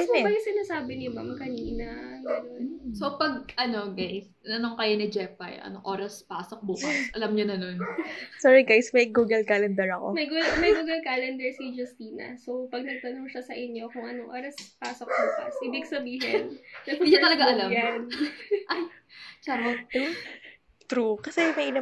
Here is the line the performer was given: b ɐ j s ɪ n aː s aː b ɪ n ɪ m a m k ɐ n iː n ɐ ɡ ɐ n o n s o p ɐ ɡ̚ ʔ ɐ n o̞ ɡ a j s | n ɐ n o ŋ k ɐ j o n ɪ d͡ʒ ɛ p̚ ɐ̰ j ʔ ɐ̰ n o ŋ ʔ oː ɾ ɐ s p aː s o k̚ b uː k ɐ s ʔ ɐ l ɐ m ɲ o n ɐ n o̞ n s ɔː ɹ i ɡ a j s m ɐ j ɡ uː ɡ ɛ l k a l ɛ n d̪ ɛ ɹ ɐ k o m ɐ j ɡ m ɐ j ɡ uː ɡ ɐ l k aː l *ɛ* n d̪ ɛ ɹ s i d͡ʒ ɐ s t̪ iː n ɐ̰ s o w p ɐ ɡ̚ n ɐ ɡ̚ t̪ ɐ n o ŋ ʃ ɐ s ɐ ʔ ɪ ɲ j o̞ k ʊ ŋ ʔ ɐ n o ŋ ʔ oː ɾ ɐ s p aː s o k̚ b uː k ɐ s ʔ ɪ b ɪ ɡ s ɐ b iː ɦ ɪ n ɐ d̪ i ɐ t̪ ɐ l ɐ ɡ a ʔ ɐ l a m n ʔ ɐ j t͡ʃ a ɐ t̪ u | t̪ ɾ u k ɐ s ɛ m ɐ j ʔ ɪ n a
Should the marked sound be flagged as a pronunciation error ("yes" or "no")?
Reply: no